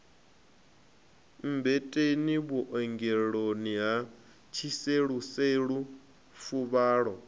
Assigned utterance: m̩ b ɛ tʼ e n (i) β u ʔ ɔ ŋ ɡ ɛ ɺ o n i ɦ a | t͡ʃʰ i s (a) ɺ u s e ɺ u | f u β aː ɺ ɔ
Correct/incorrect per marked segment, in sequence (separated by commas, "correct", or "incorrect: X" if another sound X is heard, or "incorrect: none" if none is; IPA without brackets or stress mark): correct, incorrect: e